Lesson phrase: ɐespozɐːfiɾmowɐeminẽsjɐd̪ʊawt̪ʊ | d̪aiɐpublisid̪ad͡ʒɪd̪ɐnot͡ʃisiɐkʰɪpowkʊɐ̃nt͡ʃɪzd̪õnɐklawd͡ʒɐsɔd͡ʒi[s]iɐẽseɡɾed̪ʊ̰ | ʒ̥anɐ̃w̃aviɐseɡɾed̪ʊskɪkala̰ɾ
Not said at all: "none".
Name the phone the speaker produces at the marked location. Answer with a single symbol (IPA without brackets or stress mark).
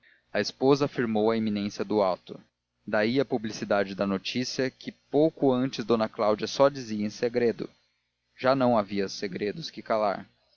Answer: z